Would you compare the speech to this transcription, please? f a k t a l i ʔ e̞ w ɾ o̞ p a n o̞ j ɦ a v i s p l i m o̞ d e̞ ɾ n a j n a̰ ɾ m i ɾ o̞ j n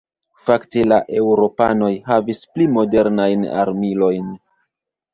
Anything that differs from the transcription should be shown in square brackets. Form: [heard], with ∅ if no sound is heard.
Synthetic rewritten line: f a k t [e] l [a] ʔ e̞ w ɾ o̞ p a n o̞ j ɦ a v i s p l i m o̞ d e̞ ɾ n a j n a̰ ɾ m i [l] o̞ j n